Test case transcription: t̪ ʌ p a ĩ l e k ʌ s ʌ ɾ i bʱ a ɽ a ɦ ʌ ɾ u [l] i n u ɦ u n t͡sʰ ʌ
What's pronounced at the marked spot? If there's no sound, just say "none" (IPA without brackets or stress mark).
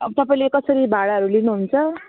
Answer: l